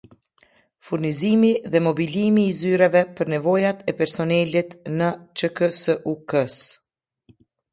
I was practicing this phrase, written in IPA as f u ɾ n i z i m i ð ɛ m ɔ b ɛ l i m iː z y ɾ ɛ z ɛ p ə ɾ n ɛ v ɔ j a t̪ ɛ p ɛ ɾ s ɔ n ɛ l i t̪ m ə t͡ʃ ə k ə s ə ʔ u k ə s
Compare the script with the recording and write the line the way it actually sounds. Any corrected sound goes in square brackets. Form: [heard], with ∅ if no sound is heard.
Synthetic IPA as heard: f u ɾ n i z i m i ð ɛ m ɔ b [i] l i m iː z y ɾ ɛ [v] ɛ p ə ɾ n ɛ v ɔ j a t̪ ɛ p ɛ ɾ s ɔ n ɛ l i t̪ [n] ə t͡ʃ ə k ə s ə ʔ u k ə s